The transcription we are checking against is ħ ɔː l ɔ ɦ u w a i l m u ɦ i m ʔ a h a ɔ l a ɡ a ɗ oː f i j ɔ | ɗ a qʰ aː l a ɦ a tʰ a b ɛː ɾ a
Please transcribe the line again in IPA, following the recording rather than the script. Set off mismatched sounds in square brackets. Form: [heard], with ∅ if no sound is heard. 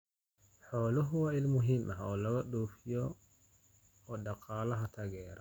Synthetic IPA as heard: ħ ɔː l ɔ ɦ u w a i l m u ɦ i m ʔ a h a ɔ l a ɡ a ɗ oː f i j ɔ | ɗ a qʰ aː l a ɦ a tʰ a [ɡ] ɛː ɾ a